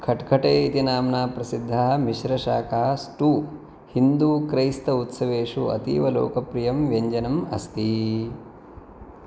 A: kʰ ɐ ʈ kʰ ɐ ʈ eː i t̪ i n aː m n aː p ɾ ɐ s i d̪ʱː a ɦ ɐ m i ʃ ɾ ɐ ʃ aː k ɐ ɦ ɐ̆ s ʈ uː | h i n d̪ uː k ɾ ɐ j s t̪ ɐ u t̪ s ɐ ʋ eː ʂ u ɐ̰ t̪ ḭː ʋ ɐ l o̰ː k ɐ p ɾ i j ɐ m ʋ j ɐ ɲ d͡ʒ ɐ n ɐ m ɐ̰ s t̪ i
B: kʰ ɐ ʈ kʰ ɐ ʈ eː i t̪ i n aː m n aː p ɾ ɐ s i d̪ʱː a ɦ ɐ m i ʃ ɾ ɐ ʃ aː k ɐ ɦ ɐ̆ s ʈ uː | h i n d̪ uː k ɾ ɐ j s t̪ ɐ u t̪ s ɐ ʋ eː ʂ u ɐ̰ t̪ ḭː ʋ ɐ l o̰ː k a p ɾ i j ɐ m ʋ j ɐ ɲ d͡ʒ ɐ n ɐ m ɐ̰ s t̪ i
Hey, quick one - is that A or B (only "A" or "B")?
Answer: A